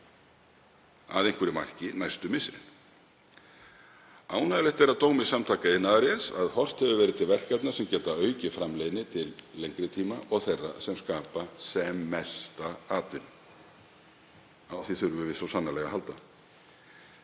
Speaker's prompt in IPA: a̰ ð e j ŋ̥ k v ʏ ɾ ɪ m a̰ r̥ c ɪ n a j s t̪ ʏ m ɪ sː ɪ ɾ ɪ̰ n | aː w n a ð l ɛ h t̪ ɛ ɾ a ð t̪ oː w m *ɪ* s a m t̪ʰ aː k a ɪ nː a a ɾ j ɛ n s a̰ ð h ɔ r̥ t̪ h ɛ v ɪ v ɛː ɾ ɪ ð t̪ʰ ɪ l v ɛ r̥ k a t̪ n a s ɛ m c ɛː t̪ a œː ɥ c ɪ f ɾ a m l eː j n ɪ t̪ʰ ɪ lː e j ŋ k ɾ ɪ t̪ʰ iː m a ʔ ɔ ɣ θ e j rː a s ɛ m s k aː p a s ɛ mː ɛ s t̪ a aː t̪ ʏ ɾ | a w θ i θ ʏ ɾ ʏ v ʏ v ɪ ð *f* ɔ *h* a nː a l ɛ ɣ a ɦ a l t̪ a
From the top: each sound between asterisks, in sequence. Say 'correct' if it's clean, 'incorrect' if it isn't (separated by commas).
correct, incorrect, incorrect